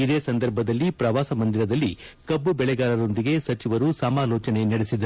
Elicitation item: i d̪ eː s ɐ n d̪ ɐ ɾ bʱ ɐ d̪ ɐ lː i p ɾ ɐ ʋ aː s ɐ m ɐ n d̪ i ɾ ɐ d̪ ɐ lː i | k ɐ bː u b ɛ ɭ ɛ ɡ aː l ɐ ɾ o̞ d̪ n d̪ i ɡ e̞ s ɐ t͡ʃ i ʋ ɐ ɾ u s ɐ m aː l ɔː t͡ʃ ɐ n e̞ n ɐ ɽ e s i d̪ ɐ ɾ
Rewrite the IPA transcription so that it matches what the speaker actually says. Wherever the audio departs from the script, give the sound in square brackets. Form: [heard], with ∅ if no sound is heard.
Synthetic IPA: i d̪ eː s ɐ n d̪ ɐ ɾ bʱ ɐ d̪ ɐ lː i p ɾ ɐ ʋ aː s ɐ m ɐ n d̪ i ɾ ɐ d̪ ɐ lː i | k ɐ bː u b ɛ ɭ ɛ ɡ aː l ɐ ɾ o̞ [∅] n d̪ i ɡ e̞ s ɐ t͡ʃ i ʋ ɐ ɾ u s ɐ m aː l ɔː t͡ʃ ɐ n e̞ n ɐ ɽ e s i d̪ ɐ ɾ